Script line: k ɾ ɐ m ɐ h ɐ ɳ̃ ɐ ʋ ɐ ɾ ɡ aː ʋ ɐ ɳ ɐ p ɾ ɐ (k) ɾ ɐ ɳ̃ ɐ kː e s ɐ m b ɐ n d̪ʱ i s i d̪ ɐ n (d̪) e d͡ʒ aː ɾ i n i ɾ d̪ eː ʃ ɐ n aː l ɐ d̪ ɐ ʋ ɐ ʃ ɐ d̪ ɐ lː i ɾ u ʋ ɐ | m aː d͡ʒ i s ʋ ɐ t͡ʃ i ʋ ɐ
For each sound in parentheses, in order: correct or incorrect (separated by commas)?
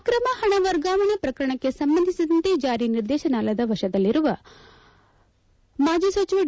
correct, incorrect